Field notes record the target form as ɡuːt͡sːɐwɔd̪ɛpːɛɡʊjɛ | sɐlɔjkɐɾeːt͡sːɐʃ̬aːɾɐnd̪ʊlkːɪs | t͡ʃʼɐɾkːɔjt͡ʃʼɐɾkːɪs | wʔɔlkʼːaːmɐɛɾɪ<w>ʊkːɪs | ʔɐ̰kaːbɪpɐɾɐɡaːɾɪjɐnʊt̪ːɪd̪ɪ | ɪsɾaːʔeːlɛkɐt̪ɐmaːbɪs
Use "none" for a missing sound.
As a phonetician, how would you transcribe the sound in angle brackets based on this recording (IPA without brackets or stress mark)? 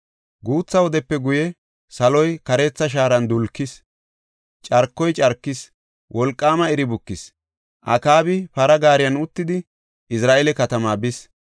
b